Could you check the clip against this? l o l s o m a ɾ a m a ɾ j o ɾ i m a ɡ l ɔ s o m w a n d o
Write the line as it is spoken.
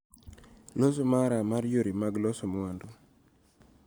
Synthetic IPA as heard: l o s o m a ɾ a m a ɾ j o ɾ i m a ɡ l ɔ s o m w a n d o